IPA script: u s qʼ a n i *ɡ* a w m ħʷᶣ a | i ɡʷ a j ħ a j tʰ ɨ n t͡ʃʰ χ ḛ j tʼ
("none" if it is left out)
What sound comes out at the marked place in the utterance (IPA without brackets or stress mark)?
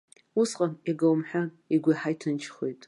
ɡ